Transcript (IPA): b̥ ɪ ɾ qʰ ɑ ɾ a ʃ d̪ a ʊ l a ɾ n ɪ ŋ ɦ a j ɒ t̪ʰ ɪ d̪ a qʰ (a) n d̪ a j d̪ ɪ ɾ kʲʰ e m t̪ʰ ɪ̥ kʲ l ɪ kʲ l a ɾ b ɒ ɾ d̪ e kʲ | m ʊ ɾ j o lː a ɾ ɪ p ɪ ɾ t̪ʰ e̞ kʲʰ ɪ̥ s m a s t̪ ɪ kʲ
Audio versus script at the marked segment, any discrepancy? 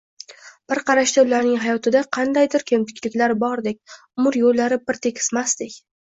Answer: yes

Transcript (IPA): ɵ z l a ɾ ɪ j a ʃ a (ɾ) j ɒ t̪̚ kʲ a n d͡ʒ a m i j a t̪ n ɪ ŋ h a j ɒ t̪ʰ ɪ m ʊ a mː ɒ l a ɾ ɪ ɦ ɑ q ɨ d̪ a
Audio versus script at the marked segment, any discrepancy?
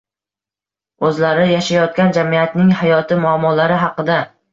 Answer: yes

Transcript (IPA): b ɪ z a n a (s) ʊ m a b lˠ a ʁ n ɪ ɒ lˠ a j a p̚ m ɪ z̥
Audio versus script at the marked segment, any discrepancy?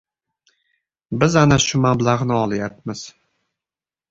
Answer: yes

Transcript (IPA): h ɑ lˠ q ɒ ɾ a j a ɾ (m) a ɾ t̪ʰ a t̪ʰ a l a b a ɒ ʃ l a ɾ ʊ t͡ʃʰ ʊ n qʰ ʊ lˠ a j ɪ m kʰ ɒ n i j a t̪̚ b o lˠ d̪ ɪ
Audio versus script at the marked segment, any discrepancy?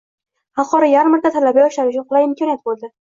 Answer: no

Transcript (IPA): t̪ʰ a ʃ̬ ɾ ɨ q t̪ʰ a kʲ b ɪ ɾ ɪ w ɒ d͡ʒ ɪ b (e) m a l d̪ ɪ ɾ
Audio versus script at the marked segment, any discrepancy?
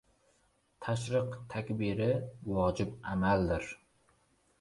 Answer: yes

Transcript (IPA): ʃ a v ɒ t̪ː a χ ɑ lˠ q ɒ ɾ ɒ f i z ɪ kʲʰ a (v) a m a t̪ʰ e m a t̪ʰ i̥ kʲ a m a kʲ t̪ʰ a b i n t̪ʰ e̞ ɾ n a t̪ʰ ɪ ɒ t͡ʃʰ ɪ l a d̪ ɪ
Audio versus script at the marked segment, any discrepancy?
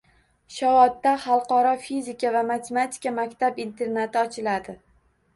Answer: no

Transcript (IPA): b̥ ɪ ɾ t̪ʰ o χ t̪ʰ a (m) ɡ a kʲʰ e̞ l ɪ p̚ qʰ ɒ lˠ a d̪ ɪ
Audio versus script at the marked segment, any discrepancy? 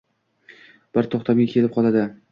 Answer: no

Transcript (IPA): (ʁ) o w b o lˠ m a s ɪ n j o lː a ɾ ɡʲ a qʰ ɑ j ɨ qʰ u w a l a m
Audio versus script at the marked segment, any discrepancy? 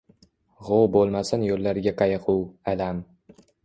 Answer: no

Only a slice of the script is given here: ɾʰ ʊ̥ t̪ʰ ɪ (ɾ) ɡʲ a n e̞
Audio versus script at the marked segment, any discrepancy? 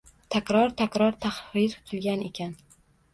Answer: yes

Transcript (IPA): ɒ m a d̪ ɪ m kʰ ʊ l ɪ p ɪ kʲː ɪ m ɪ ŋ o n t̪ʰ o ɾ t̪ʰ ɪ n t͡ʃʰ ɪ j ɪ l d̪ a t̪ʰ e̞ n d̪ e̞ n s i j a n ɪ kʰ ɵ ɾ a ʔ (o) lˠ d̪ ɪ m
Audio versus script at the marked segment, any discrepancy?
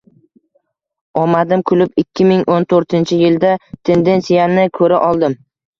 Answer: yes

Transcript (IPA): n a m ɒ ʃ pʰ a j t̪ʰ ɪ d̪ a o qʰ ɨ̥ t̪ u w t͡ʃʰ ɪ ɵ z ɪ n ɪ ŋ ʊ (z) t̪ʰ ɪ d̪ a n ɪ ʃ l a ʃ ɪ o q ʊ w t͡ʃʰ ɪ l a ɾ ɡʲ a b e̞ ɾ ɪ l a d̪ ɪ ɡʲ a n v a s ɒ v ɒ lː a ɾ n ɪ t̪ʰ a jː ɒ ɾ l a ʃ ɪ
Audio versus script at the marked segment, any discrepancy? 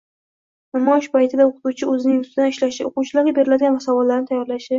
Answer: yes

